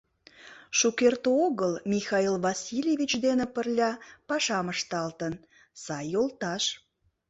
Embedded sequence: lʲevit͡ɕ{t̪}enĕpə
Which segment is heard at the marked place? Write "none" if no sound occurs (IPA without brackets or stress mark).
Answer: d̪